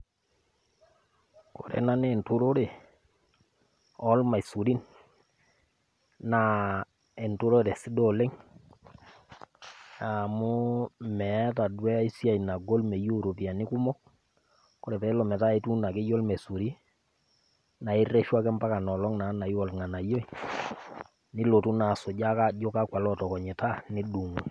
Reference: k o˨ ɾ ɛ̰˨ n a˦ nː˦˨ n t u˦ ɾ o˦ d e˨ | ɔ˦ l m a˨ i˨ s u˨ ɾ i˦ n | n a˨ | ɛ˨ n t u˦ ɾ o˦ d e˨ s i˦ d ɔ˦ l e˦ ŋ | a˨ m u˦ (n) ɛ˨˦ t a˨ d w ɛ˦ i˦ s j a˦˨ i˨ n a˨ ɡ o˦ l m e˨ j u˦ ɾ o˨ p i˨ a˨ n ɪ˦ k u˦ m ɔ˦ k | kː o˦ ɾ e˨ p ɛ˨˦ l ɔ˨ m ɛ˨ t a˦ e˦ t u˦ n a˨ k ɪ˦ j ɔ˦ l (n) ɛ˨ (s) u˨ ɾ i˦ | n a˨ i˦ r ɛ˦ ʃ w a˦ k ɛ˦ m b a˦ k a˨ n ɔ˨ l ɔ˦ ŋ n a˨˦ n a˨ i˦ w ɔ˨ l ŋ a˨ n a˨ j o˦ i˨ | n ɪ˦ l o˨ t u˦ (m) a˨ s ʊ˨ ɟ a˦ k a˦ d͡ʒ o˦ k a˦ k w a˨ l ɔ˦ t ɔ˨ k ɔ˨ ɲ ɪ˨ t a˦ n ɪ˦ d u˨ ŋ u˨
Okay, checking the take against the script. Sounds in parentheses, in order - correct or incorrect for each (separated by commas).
incorrect, incorrect, correct, incorrect